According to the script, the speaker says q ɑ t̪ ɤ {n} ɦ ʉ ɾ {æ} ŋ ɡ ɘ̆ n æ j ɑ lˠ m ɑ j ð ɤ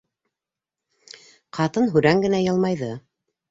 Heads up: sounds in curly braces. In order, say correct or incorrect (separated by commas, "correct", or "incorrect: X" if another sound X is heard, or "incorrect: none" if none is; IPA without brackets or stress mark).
correct, correct